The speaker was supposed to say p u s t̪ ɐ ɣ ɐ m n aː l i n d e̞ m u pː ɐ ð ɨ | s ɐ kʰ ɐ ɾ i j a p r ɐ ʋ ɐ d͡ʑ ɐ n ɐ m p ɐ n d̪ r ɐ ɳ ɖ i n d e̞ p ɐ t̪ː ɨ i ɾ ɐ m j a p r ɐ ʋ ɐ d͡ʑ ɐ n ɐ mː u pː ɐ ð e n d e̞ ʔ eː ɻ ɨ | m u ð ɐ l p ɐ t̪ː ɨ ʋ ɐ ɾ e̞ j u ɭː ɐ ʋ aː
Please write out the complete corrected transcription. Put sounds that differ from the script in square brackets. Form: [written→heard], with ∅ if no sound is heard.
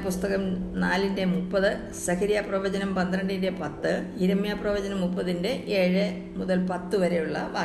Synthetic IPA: p u s t̪ ɐ ɣ ɐ m n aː l i n d e̞ m u pː ɐ ð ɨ | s ɐ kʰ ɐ ɾ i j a p r ɐ ʋ ɐ d͡ʑ ɐ n ɐ m p ɐ n d̪ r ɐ ɳ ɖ i n d e̞ p ɐ t̪ː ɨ i ɾ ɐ m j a p r ɐ ʋ ɐ d͡ʑ ɐ n ɐ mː u pː ɐ ð [e→i] n d e̞ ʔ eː ɻ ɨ | m u ð ɐ l p ɐ t̪ː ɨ ʋ ɐ ɾ e̞ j u ɭː ɐ ʋ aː